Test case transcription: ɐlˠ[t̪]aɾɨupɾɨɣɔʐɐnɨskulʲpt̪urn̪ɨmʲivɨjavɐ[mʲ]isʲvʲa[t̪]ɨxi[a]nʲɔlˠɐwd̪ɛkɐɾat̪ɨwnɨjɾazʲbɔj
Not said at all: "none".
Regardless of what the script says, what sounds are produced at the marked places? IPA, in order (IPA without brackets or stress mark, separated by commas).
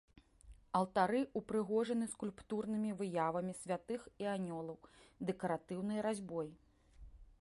t̪, mʲ, t̪, a